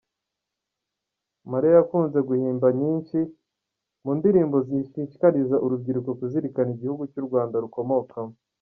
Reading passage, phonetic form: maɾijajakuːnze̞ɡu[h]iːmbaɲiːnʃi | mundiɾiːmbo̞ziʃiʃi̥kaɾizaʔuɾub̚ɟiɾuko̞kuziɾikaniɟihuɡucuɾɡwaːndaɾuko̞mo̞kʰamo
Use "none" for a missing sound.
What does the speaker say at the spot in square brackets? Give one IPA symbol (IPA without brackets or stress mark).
h